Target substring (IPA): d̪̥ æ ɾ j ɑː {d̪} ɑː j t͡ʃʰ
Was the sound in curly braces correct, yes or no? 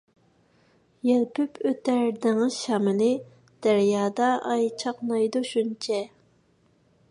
yes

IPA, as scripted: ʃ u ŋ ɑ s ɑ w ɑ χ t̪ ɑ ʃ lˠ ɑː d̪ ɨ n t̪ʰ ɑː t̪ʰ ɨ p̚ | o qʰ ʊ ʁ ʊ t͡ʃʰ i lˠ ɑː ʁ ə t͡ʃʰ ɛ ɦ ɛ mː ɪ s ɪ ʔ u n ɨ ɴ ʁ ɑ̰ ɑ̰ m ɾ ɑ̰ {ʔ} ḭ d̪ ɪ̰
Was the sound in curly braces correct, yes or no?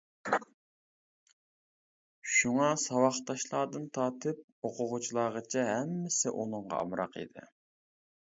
no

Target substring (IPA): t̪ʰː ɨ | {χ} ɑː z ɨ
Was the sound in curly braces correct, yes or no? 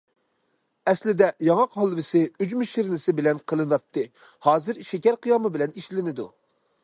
no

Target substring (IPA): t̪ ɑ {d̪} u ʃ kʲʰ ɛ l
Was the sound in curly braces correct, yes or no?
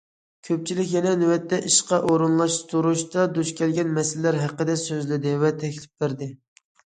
yes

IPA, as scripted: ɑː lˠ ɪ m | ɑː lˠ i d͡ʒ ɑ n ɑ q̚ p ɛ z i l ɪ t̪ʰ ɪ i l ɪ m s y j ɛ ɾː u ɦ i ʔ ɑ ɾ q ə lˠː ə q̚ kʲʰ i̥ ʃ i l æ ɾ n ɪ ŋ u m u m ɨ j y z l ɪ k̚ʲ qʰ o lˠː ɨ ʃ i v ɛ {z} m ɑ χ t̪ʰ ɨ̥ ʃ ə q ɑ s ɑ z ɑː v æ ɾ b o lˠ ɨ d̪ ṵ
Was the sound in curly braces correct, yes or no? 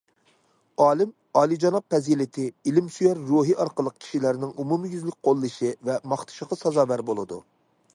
no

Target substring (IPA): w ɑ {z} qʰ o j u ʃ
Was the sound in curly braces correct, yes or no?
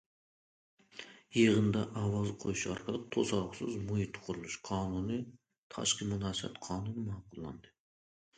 yes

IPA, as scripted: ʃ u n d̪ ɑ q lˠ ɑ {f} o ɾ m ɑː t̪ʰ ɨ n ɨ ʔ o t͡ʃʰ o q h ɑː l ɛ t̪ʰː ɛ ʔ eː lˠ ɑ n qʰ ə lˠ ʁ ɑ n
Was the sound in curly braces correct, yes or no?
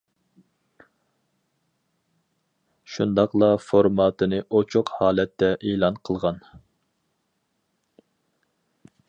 yes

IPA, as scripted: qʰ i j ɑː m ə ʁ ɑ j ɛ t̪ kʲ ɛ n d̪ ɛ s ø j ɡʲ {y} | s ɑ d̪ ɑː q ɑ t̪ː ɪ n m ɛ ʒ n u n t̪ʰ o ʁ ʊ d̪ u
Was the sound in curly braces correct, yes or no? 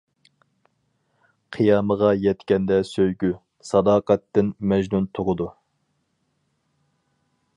yes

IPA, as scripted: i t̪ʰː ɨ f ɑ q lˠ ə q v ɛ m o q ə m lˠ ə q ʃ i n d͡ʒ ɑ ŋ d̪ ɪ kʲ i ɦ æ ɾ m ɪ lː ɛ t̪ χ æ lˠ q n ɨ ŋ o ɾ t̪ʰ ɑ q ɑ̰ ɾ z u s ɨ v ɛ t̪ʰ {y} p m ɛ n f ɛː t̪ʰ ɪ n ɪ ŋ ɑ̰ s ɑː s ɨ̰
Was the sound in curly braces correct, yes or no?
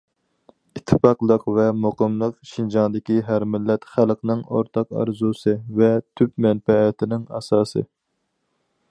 yes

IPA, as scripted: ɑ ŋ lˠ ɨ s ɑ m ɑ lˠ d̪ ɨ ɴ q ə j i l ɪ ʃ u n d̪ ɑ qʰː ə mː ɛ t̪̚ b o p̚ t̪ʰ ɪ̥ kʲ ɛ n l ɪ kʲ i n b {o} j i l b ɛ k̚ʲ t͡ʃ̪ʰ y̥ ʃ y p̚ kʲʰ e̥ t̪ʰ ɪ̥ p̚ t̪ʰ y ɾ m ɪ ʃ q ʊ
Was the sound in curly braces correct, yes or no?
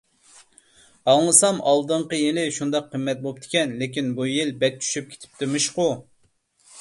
no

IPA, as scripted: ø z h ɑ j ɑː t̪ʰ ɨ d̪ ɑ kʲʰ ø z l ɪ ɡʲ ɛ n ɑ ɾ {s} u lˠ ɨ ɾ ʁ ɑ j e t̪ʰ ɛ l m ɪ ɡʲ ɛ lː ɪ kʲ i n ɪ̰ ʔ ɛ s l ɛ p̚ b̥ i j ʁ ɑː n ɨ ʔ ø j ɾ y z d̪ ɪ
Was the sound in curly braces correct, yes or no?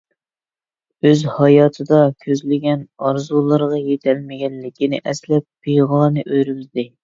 no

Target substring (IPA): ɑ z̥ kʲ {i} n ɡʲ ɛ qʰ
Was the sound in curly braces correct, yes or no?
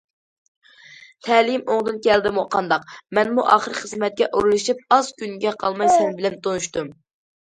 no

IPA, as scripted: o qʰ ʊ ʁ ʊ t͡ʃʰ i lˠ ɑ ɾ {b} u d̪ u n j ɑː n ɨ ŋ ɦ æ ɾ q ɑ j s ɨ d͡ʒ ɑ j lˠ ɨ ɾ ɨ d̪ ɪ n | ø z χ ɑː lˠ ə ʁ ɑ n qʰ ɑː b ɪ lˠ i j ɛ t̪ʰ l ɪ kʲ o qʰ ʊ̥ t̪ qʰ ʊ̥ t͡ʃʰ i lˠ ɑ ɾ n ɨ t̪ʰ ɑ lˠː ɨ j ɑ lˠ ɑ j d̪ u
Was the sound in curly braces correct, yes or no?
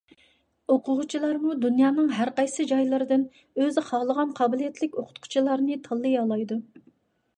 no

